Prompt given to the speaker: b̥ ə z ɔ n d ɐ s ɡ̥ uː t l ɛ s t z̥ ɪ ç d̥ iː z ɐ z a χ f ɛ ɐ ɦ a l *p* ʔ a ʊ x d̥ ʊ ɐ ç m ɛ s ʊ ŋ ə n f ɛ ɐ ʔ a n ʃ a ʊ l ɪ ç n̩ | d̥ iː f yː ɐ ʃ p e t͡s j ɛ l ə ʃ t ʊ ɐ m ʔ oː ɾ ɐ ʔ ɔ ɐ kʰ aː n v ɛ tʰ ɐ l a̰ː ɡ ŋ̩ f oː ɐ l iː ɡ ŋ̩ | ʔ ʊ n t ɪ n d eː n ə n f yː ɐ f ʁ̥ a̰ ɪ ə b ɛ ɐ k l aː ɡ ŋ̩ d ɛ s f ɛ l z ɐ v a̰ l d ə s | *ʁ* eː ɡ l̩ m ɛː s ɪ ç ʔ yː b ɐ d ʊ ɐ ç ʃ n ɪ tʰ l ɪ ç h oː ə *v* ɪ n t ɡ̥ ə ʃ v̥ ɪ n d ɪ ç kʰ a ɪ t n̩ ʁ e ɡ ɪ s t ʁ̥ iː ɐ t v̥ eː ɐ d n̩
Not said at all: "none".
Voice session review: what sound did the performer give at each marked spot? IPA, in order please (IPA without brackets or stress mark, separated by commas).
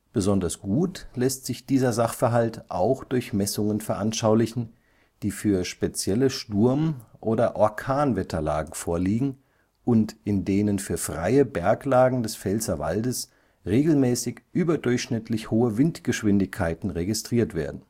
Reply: t, ʁ, v